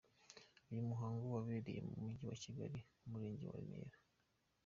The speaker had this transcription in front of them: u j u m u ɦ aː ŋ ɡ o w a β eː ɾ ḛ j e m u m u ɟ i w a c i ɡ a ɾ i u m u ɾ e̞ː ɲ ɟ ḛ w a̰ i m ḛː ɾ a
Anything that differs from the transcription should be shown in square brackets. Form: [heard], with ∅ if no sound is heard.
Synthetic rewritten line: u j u m u ɦ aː ŋ ɡ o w a β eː ɾ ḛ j e m u m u ɟ i w a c i ɡ a ɾ i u m u ɾ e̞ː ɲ ɟ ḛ w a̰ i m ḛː ɾ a